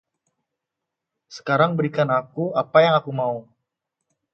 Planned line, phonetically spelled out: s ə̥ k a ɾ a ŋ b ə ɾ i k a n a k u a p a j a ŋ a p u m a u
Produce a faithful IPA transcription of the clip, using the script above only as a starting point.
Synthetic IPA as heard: s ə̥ k a ɾ a ŋ b ə ɾ i k a n a k u a p a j a ŋ a k u m a u